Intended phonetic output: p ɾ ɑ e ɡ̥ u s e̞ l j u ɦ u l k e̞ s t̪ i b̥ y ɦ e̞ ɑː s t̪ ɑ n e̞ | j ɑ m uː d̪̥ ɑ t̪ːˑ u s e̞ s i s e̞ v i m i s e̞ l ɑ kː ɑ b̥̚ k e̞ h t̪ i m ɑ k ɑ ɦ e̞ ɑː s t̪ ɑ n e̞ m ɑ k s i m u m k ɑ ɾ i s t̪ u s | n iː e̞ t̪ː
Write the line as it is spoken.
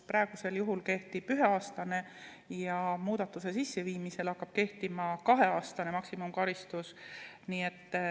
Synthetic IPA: p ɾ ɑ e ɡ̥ u s e̞ l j u ɦ u l k e̞ h t̪ i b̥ y ɦ e̞ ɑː s t̪ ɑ n e̞ | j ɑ m uː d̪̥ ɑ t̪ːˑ u s e̞ s i sː e̞ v iː m i s e̞ l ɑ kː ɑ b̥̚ k e̞ h t̪ i m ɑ k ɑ ɦ e̞ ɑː s t̪ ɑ n e̞ m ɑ k s i m u m k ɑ ɾ i s t̪ u s | n iː e̞ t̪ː